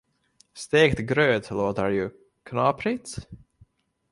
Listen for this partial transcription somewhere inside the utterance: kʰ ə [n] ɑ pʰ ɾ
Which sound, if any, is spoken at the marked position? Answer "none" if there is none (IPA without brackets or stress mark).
n